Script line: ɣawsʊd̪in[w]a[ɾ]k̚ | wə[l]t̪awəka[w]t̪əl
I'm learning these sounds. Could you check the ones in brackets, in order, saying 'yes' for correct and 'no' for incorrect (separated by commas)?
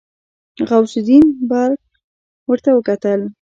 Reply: no, yes, no, no